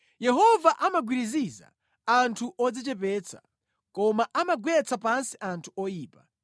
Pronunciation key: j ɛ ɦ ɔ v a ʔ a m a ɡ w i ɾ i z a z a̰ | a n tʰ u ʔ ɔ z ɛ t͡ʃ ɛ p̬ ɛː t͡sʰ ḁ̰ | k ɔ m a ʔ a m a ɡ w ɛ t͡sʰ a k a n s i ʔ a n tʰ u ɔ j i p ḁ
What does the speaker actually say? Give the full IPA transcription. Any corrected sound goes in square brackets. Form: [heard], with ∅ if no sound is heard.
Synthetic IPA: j ɛ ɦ ɔ v a ʔ a m a ɡ w i ɾ i z [i] z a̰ | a n tʰ u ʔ ɔ [d͡z] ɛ t͡ʃ ɛ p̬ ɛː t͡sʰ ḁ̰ | k ɔ m a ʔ a m a ɡ w ɛ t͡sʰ a [p] a n s i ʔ a n tʰ u ɔ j [iː] p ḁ